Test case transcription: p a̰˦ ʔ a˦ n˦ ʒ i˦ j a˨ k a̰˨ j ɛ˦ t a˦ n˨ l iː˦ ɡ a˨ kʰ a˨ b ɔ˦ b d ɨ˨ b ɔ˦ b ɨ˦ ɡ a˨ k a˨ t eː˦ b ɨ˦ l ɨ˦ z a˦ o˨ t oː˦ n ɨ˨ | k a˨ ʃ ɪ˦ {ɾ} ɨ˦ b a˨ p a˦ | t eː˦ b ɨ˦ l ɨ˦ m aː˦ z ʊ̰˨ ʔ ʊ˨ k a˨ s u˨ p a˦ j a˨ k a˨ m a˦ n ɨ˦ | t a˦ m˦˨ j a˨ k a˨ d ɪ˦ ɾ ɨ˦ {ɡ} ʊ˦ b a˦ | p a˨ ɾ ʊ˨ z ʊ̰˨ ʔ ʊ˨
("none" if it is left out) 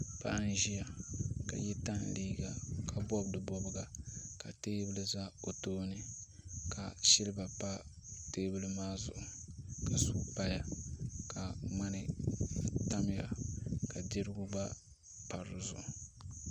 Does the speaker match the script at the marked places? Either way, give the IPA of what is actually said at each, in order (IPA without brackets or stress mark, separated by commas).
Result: l, ɡ